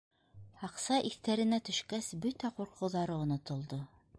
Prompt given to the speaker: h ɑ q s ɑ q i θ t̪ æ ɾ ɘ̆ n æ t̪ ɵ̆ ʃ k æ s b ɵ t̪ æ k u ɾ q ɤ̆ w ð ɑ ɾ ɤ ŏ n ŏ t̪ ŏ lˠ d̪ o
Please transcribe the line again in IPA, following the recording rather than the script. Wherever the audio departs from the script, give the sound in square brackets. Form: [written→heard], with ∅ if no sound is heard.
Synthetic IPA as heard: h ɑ q s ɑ [q→ʔ] i θ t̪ æ ɾ ɘ̆ n æ t̪ ɵ̆ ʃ k æ s b ɵ t̪ æ [k→q] u ɾ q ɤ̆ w ð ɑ ɾ ɤ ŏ n ŏ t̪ ŏ lˠ d̪ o